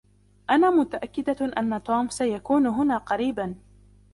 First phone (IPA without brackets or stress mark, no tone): ʔ